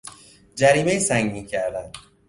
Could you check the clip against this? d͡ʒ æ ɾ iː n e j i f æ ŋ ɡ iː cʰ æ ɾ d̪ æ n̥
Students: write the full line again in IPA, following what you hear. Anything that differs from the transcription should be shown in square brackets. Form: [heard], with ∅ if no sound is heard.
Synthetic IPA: d͡ʒ æ ɾ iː [m] e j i [s] æ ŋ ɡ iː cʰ æ ɾ d̪ æ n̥